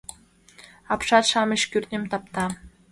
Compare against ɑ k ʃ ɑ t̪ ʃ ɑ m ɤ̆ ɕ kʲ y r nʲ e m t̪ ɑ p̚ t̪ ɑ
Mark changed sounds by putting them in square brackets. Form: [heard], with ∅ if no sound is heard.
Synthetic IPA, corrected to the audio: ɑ [p] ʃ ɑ t̪ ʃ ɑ m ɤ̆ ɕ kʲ y r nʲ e m t̪ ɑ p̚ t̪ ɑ